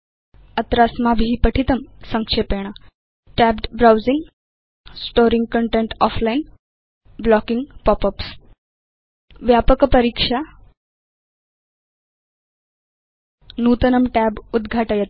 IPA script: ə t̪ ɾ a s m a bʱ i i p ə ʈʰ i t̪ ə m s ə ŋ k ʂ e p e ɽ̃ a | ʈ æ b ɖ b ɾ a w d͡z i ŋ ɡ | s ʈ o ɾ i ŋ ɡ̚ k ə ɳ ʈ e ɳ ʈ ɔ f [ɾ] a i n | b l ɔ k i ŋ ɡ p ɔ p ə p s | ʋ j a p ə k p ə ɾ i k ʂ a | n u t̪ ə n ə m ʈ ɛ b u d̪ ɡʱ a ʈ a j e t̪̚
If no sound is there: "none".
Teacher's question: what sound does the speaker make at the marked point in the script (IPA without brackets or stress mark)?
l